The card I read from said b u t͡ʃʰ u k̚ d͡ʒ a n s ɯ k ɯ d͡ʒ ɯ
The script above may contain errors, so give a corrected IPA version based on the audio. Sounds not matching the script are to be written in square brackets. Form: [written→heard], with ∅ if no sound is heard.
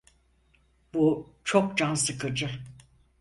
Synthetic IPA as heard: b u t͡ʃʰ [u→o] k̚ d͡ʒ a n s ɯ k ɯ d͡ʒ ɯ